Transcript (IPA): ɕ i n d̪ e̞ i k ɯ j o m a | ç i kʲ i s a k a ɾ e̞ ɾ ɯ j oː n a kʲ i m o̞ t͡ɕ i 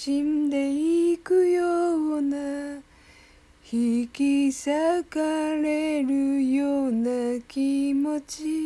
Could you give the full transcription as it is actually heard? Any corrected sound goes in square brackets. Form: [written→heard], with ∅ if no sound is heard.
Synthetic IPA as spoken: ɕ i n d̪ e̞ i k ɯ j o [m→n] a | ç i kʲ i s a k a ɾ e̞ ɾ ɯ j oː n a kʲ i m o̞ t͡ɕ i